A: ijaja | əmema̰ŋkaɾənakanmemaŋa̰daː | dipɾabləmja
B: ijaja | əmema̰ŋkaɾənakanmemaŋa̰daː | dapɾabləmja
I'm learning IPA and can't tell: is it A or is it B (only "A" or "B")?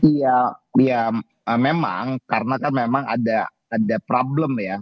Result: B